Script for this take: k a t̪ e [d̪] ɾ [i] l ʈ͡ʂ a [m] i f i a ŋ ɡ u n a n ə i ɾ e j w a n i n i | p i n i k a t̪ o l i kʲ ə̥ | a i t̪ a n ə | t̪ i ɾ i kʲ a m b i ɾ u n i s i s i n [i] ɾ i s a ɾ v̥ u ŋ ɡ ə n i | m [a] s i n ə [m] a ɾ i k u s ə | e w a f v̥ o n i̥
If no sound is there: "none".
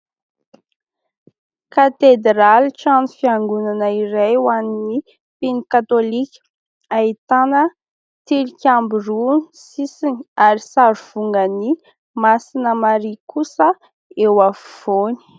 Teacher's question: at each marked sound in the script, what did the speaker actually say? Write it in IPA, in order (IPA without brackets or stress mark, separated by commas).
d̪, a, n, a, a, m